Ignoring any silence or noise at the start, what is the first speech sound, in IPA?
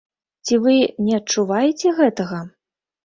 t͡sʲ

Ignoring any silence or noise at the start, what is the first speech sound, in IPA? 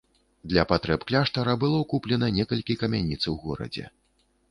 d̪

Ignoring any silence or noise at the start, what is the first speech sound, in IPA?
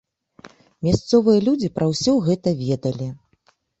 mʲ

